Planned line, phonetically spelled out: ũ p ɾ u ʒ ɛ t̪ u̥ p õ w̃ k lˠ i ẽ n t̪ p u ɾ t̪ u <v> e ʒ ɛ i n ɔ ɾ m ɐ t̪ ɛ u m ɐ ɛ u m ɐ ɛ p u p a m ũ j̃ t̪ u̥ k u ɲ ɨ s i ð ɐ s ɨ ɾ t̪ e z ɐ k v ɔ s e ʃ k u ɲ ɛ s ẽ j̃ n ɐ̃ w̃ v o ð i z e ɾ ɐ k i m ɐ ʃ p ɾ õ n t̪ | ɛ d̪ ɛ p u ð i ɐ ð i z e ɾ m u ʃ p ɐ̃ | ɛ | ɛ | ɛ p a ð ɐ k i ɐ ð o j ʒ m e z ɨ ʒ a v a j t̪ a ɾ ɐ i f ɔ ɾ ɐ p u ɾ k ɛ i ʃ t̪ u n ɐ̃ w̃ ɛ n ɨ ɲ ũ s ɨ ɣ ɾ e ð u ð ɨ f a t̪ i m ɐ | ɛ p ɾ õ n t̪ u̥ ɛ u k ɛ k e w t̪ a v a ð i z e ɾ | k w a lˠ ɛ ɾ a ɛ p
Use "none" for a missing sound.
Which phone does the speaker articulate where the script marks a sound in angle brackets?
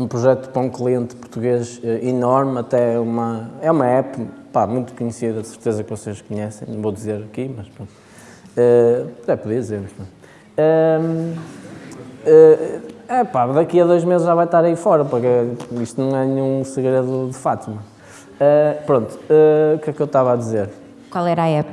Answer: ɣ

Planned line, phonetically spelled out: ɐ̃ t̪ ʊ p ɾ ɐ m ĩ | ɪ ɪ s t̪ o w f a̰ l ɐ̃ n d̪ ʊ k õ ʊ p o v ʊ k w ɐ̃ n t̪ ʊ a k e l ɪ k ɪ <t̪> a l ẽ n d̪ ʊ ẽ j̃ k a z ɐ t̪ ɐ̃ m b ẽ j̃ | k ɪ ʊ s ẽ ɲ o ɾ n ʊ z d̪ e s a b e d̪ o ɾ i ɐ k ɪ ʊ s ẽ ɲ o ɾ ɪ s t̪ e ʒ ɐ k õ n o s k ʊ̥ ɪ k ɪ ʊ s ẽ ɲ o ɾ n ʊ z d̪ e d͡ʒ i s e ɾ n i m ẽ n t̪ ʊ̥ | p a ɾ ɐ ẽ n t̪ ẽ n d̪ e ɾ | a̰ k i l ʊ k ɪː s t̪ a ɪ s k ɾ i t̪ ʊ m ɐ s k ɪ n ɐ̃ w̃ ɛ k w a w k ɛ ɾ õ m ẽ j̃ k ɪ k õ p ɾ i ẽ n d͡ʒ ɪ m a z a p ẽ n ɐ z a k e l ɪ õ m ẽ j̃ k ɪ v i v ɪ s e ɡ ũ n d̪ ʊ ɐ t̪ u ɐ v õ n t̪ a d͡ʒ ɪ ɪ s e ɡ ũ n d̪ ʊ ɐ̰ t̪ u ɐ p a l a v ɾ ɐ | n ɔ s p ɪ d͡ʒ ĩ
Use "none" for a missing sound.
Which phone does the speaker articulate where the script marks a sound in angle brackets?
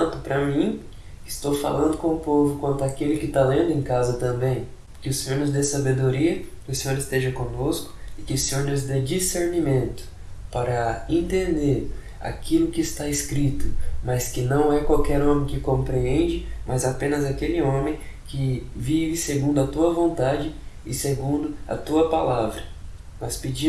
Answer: t̪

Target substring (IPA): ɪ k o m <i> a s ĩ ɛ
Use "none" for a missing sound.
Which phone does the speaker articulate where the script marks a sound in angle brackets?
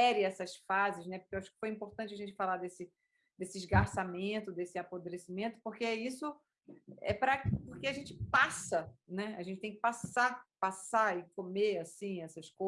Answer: e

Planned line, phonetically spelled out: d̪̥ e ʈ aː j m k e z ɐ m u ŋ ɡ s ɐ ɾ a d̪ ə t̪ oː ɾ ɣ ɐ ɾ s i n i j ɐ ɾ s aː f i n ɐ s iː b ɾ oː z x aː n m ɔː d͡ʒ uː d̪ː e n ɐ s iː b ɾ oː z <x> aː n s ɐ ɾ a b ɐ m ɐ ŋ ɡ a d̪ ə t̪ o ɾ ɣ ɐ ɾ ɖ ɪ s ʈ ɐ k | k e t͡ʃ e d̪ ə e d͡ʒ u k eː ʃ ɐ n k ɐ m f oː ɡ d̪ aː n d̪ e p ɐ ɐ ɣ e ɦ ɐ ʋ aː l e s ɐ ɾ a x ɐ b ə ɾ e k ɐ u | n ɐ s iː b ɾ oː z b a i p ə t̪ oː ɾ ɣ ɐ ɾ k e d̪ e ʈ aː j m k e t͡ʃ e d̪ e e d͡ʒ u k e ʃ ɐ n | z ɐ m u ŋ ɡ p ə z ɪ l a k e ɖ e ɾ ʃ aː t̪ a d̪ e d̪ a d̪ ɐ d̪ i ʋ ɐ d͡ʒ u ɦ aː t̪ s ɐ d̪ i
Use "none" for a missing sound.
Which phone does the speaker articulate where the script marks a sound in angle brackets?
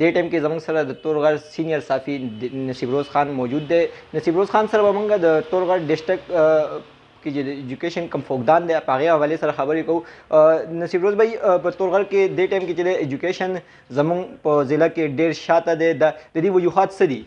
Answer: x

